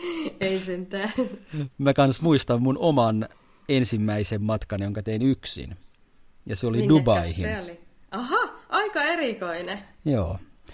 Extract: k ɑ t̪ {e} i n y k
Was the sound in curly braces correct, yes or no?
yes